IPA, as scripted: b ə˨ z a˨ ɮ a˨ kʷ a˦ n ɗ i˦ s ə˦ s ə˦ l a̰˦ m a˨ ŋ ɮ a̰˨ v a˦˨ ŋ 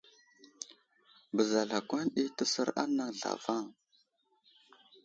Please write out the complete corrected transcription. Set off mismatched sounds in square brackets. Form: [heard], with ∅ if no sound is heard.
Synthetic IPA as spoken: b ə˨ z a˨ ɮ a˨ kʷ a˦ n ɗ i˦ [t] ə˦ s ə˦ [ɾ] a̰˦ [n] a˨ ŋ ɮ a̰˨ v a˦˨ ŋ